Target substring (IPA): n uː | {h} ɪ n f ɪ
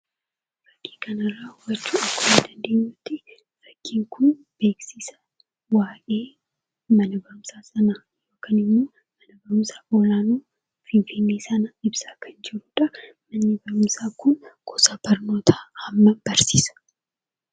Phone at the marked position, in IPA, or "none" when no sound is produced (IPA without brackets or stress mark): f